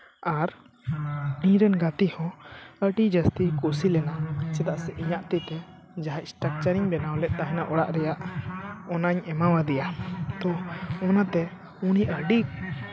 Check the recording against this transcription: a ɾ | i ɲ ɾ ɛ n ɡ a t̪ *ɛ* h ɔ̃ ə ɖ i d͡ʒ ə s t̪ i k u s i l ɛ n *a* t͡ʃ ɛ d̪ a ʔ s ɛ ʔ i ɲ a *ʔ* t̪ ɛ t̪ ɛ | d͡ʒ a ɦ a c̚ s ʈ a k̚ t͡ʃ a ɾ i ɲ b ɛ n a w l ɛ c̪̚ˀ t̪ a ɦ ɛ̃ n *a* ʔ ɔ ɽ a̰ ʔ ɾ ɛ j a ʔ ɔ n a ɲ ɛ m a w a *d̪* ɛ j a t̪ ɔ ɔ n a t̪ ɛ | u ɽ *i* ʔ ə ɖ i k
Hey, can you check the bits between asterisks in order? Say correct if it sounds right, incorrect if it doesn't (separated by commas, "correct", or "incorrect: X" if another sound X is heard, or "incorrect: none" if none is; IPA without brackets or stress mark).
incorrect: i, correct, correct, correct, correct, correct